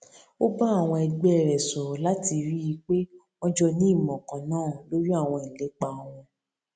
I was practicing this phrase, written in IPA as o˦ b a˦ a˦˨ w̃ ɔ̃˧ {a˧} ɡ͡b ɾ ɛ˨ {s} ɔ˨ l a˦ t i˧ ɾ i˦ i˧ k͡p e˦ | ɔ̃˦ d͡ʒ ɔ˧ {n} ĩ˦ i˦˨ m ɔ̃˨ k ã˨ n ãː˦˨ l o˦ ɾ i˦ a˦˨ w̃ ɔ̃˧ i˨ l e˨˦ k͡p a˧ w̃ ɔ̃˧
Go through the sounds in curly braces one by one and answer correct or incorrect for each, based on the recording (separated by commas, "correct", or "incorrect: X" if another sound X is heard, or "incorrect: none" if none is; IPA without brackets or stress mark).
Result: incorrect: ɛ˧, correct, correct